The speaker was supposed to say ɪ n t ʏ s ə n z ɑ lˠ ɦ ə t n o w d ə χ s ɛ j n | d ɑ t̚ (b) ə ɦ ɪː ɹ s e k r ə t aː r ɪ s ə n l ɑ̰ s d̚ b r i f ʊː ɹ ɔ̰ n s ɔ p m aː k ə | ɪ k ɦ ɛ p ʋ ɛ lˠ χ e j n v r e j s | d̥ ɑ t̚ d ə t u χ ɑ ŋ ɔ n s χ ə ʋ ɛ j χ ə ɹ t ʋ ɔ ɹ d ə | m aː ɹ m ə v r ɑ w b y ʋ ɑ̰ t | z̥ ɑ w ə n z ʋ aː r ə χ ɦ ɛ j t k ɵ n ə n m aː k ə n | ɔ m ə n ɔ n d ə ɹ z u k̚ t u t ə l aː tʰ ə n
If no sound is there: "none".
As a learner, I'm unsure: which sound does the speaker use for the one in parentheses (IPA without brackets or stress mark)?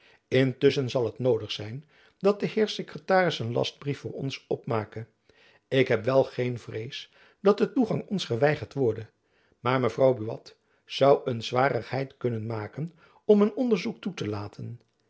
d